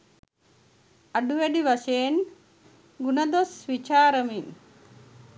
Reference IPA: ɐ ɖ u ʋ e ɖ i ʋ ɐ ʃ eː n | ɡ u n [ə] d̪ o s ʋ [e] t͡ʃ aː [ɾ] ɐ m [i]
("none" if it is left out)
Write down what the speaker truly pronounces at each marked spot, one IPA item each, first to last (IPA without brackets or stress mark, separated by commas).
ɐ, i, ɾ, i